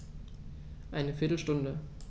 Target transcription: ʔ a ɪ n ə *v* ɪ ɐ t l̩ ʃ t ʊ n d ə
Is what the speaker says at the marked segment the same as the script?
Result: no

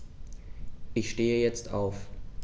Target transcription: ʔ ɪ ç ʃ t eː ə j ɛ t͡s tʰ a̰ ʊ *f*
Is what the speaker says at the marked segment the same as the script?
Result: yes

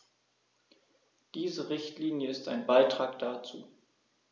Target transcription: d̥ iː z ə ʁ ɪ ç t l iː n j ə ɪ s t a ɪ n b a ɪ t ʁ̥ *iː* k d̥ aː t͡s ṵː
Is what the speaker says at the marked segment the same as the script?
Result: no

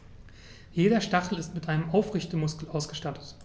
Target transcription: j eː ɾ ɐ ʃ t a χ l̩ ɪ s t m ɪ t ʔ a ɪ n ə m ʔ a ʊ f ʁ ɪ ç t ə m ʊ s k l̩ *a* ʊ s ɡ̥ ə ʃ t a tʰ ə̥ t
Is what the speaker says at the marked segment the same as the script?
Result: yes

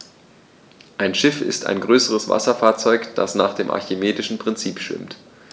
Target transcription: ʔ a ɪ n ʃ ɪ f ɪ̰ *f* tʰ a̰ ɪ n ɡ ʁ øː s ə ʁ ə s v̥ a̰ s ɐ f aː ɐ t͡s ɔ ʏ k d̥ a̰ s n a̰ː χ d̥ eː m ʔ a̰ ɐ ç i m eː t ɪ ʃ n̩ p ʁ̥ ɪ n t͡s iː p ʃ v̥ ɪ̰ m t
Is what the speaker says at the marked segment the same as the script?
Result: no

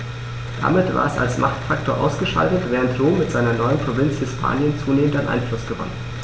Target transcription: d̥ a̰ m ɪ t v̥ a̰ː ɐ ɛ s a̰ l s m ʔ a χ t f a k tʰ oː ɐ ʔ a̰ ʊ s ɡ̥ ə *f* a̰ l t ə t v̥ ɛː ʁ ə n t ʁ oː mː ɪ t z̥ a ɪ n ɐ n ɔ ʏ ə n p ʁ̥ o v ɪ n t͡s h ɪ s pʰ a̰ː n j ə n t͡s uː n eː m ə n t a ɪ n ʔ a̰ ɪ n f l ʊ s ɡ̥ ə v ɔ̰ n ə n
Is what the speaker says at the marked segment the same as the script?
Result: no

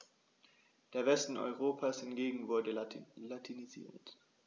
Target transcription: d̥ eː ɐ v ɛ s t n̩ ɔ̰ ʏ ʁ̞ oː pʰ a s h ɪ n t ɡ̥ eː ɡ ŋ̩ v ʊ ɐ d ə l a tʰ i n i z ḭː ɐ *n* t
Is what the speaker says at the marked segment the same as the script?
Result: no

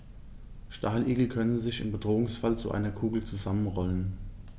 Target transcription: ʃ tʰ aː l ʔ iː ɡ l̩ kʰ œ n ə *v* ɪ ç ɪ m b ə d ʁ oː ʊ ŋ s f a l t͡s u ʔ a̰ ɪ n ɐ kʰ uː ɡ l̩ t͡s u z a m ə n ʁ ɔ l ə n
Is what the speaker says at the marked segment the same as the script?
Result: no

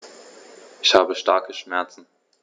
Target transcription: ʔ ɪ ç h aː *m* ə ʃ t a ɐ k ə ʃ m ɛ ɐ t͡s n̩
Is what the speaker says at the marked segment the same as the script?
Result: no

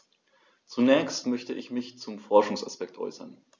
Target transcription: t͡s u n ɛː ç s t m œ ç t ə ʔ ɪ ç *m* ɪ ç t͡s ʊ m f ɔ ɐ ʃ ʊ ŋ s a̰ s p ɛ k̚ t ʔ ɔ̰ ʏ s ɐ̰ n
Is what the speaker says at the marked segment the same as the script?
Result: yes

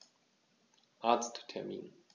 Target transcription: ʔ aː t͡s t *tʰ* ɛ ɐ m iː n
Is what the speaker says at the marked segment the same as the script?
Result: yes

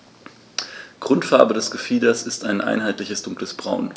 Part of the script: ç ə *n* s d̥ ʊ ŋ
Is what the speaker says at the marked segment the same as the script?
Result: no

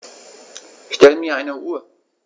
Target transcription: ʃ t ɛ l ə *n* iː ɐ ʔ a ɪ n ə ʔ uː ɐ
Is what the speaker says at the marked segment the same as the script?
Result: no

